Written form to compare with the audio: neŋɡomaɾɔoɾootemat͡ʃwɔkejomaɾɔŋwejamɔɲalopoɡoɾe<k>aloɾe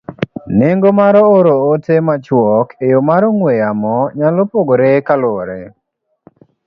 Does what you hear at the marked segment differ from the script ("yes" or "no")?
no